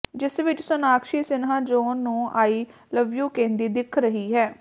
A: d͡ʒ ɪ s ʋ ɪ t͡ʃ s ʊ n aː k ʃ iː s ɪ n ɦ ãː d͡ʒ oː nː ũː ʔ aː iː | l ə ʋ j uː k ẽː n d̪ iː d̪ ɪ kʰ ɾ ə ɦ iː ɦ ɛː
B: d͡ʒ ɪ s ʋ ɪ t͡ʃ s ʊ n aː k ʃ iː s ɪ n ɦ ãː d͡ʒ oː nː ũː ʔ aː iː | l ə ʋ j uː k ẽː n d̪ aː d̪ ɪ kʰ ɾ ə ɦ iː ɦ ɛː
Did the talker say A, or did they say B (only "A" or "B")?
A